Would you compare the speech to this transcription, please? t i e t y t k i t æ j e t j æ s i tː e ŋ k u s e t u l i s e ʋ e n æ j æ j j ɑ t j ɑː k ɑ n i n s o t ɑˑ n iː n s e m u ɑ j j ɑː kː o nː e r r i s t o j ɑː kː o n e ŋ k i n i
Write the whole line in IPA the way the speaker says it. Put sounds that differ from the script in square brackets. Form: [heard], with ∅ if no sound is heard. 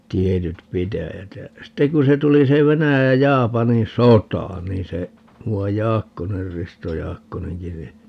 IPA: t i e t y t [p] i t æ j [æ] t j æ s i tː e ŋ k u s e t u l i s e ʋ e n æ j æ j j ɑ [∅] j ɑː [p] ɑ n i n s o t ɑˑ n iː n s e m u ɑ j j ɑː kː o [n] e r r i s t o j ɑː kː o n e ŋ k i n i